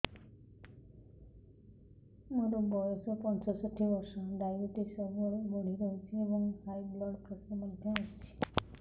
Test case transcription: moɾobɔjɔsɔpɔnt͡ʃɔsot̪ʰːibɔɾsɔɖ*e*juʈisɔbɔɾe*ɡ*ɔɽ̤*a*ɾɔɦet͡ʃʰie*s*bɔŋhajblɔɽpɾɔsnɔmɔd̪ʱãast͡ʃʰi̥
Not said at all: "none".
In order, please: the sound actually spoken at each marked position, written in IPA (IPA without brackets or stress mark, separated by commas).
a, b, i, none